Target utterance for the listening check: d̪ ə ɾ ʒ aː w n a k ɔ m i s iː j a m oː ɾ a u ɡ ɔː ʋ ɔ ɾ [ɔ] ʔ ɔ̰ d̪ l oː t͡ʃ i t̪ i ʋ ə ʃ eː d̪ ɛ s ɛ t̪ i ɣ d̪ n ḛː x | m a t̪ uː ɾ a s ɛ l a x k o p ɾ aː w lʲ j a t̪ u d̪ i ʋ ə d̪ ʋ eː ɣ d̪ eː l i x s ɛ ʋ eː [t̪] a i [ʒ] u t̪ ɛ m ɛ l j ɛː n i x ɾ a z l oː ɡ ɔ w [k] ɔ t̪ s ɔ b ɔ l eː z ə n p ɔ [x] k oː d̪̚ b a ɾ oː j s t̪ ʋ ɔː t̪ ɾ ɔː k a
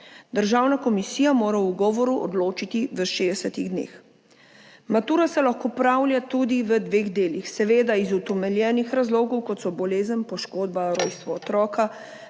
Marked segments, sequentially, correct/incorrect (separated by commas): incorrect, incorrect, incorrect, correct, incorrect